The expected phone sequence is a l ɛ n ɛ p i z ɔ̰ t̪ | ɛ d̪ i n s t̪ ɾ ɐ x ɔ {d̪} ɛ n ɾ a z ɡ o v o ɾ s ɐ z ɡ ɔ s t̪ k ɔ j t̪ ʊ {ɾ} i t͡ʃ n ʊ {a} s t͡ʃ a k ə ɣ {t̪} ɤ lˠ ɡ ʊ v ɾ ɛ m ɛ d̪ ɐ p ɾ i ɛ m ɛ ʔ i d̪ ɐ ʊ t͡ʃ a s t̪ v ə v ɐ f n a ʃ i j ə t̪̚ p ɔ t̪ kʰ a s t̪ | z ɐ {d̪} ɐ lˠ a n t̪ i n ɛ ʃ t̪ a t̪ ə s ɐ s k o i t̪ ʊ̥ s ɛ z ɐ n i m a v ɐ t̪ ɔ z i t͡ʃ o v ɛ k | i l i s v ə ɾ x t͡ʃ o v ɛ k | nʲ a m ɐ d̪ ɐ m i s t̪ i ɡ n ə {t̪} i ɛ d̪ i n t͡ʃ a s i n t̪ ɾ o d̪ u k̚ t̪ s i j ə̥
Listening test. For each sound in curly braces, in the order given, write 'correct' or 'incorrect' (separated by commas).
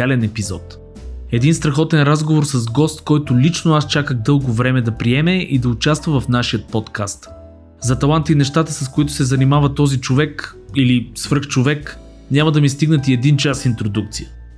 incorrect, incorrect, correct, incorrect, incorrect, correct